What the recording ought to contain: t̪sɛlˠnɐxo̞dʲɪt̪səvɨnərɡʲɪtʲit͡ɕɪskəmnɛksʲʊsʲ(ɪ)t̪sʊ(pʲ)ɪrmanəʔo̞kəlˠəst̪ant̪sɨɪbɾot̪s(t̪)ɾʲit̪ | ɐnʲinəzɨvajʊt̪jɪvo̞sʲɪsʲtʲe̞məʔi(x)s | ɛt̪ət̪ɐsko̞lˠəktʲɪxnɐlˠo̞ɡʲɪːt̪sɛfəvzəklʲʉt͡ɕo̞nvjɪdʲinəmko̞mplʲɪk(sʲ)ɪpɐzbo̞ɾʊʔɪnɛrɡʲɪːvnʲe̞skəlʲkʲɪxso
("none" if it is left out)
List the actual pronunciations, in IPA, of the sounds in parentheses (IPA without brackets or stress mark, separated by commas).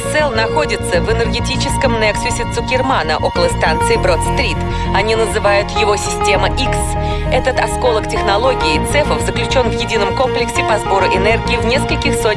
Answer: ɪ, kʲ, t̪, k, sʲ